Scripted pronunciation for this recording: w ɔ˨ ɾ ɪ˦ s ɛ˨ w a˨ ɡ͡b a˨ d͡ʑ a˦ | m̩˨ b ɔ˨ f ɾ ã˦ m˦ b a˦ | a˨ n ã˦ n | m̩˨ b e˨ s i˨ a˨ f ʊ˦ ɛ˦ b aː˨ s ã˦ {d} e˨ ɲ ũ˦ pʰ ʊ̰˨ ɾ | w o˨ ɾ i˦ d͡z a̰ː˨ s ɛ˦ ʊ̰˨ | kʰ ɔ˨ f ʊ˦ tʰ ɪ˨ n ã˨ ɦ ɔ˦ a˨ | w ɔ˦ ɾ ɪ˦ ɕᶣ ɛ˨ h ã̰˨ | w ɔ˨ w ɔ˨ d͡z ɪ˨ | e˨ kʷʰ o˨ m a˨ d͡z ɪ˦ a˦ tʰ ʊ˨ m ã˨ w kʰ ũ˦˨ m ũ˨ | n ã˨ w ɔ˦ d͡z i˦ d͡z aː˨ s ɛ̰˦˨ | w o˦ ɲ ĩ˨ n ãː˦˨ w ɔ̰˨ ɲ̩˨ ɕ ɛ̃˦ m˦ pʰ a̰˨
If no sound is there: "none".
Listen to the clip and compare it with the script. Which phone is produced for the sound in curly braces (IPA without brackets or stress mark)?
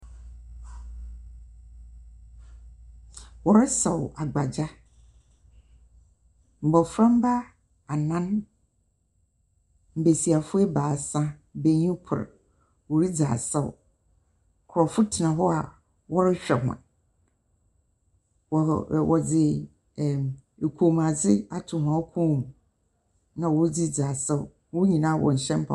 b